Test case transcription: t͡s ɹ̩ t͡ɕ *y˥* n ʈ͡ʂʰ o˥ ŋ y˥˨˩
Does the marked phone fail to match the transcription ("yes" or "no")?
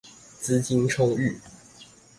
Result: yes